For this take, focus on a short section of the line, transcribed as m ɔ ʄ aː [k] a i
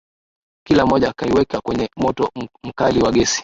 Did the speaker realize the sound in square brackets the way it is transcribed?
yes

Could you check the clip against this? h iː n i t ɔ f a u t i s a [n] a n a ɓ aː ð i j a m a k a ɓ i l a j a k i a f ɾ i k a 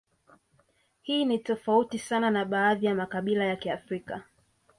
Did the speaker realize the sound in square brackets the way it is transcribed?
yes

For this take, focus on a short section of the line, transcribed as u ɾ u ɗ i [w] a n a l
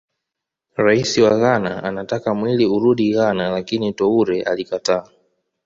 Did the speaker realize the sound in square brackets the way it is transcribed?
no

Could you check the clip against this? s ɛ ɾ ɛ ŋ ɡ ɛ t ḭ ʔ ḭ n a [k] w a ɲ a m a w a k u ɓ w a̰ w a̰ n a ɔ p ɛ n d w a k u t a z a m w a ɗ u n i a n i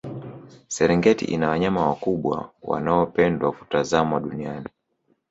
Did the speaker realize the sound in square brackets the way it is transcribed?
no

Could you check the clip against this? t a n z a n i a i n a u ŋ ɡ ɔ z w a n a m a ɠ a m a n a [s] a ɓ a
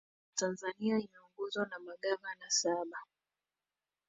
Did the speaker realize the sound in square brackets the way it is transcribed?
yes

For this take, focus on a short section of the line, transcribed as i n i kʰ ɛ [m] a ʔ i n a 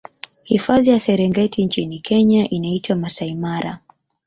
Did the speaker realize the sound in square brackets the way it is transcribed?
no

